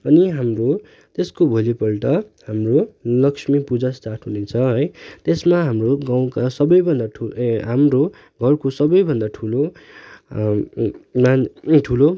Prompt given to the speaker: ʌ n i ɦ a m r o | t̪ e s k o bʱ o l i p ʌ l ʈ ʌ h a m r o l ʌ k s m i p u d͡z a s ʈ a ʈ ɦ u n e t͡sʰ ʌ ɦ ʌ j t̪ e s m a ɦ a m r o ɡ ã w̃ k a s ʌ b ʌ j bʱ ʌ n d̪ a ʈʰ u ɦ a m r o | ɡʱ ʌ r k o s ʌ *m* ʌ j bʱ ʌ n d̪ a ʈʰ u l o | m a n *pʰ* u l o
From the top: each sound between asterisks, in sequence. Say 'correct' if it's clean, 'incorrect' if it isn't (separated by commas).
incorrect, incorrect